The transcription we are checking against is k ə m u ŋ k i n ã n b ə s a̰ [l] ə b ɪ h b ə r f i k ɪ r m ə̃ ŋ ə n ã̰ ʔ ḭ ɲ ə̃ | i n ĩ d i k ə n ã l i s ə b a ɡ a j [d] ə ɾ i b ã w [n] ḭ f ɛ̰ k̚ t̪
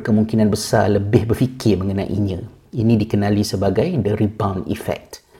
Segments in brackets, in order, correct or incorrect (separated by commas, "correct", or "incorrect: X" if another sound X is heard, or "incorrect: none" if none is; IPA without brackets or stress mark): correct, correct, correct